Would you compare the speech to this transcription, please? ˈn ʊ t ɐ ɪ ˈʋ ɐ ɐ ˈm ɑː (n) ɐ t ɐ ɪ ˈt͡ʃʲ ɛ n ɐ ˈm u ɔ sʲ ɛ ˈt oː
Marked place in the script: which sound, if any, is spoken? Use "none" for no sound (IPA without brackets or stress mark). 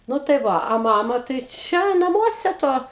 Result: m